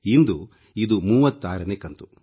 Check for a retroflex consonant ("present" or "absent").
absent